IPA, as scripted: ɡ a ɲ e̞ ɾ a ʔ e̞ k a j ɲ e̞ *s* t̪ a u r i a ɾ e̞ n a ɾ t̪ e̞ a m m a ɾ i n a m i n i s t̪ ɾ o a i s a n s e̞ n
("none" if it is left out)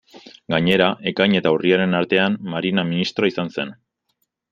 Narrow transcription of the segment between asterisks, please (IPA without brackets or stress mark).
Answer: none